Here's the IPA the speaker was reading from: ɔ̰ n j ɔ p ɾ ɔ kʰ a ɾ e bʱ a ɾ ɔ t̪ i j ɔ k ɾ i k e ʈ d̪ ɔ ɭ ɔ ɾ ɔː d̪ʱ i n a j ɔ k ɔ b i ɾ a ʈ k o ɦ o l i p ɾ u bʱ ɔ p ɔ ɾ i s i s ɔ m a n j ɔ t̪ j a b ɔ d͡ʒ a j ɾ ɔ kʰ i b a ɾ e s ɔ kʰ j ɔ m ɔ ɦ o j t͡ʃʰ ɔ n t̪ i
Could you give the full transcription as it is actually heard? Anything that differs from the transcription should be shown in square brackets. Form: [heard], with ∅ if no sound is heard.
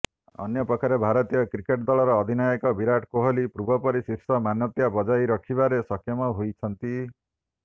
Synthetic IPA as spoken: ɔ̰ n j ɔ p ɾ ɔ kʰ a ɾ e bʱ a ɾ ɔ t̪ i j ɔ k ɾ i k e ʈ d̪ ɔ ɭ ɔ ɾ ɔː d̪ʱ i n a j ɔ k ɔ b i ɾ a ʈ k o ɦ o l i p ɾ u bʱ ɔ p ɔ ɾ i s i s ɔ m a n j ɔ t̪ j a b ɔ d͡ʒ a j ɾ ɔ kʰ i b a ɾ e s ɔ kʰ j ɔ m ɔ ɦ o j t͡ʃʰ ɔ n t̪ i